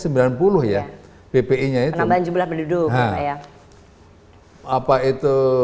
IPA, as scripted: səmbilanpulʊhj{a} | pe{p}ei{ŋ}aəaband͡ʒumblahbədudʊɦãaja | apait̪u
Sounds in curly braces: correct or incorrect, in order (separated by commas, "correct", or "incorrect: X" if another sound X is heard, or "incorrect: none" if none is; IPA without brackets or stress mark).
correct, correct, incorrect: ɲ